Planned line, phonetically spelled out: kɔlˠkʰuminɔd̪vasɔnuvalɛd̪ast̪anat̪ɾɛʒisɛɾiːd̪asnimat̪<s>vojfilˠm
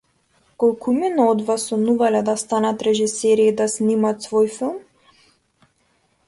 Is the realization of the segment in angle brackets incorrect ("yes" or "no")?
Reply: no